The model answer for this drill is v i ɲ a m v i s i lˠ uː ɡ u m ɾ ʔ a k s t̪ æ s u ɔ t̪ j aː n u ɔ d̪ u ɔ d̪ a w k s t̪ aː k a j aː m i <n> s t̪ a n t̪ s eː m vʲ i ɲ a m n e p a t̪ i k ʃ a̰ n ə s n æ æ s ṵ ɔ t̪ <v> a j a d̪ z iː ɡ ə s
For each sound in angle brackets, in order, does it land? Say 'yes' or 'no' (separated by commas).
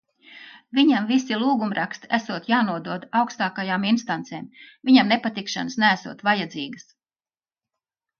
yes, yes